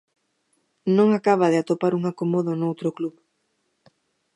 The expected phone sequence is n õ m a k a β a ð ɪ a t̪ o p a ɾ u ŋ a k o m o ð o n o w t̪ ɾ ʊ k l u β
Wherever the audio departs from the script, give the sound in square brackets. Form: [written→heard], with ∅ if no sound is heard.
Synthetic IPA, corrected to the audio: n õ [m→ŋ] a k a β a ð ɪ a t̪ o p a ɾ u ŋ a k o m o ð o n o w t̪ ɾ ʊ k l u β